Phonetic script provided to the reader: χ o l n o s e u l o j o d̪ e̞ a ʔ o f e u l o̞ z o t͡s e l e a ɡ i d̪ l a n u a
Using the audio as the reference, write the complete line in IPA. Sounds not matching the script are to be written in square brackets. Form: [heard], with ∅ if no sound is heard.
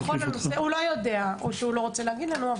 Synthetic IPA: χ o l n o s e u l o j o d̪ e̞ a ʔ o [ʃ] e u l o̞ [ʁ] o t͡s e l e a ɡ i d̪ l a n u a